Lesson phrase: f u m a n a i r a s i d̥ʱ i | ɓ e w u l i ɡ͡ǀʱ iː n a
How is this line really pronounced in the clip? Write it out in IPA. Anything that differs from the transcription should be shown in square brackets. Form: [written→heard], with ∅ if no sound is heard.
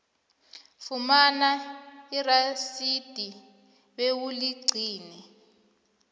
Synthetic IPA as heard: f u m a n a i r a s i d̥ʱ i | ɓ e w u l i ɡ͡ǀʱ iː n [a→ɛ]